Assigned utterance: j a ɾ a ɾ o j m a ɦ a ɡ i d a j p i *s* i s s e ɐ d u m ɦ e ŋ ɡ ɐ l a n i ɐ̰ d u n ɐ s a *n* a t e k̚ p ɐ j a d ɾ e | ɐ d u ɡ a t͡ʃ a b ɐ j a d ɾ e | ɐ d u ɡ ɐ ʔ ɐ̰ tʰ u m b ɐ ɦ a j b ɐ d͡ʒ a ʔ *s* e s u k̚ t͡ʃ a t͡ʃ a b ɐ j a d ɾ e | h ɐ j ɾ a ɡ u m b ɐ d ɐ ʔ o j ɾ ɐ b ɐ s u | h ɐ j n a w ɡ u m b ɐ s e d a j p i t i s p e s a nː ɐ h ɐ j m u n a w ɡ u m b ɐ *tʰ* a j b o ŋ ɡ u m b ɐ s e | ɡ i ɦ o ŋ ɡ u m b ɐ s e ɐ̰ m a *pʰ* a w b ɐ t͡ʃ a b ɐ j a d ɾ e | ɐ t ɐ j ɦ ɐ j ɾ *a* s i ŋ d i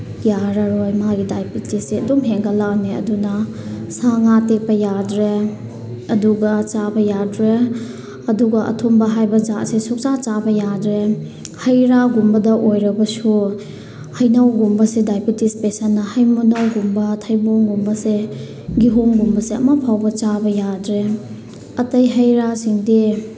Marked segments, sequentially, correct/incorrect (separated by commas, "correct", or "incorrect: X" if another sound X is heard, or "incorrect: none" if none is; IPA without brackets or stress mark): incorrect: t, incorrect: ŋ, correct, correct, correct, correct